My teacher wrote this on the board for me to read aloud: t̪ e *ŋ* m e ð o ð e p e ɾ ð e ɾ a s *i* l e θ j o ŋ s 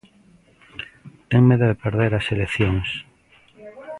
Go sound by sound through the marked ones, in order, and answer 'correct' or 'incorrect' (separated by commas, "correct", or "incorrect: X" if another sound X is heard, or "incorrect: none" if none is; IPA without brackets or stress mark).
correct, incorrect: e